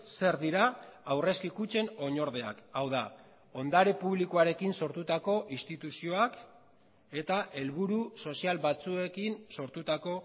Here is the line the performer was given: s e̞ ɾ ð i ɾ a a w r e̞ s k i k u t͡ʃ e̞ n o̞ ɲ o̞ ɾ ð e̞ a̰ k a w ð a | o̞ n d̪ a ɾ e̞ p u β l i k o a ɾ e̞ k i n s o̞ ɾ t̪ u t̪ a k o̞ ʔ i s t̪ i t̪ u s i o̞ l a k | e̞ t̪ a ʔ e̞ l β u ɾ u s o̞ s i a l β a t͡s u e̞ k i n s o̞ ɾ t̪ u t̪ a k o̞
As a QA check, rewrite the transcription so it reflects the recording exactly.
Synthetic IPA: s e̞ ɾ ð i ɾ a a w r e̞ s k i k u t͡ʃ e̞ n o̞ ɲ o̞ ɾ ð e̞ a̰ k a w ð a | o̞ n d̪ a ɾ e̞ p u β l i k o a ɾ e̞ k i n s o̞ ɾ t̪ u t̪ a k o̞ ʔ i s t̪ i t̪ u s i o̞ a k | e̞ t̪ a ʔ e̞ l β u ɾ u s o̞ s i a l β a t͡s u e̞ k i n s o̞ ɾ t̪ u t̪ a k o̞